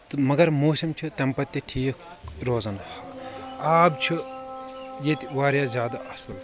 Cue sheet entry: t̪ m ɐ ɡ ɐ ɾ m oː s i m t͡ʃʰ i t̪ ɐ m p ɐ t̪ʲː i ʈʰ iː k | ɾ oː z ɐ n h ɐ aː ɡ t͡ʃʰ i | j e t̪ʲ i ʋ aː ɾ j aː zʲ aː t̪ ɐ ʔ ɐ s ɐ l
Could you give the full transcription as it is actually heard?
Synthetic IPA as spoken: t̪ m ɐ ɡ ɐ ɾ m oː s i m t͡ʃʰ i t̪ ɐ m p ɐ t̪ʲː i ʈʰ iː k | ɾ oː z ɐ n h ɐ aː b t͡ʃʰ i | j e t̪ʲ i ʋ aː ɾ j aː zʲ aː d̪ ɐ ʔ ɐ s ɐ l